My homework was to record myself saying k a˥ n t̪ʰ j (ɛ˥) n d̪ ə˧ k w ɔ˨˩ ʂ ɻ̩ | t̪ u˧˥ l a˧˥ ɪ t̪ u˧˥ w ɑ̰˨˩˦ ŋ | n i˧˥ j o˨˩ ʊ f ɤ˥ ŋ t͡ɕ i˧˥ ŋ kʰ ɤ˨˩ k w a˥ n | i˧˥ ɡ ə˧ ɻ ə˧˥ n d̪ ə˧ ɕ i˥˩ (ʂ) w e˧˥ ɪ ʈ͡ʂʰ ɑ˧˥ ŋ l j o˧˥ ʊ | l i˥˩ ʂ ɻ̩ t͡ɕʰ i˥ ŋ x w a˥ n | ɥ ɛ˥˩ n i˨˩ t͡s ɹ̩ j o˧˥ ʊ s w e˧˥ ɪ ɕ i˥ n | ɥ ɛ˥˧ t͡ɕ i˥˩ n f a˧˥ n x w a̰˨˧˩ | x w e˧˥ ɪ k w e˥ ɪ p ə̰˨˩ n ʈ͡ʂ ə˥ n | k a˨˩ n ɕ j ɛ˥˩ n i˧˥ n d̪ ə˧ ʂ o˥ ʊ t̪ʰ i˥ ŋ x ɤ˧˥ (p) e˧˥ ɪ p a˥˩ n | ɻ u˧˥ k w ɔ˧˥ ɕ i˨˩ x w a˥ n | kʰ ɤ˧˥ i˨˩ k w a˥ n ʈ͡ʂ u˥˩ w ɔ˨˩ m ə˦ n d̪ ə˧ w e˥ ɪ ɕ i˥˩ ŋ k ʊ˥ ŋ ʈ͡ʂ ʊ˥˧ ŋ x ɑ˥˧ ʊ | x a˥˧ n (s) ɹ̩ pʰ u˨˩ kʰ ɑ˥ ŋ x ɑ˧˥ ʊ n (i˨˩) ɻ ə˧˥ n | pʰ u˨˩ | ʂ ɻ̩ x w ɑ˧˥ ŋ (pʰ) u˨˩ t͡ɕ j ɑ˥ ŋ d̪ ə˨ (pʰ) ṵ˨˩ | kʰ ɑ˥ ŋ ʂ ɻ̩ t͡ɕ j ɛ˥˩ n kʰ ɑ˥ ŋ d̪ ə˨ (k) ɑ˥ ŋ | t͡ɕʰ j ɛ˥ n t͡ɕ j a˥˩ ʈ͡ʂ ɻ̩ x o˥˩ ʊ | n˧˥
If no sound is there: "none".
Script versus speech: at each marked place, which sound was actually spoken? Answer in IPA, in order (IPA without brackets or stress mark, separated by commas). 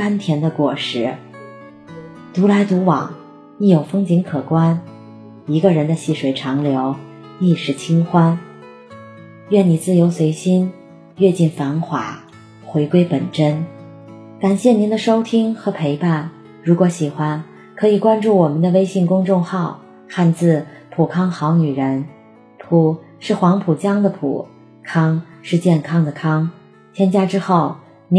ɛ˧˥, ʂ, pʰ, t͡s, y˨˩, pʰ, pʰ, kʰ